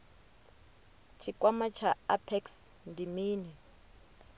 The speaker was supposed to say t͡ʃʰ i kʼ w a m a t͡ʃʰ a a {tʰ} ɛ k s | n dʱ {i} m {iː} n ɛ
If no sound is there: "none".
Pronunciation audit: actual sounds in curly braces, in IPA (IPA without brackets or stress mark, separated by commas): pʰ, i, iː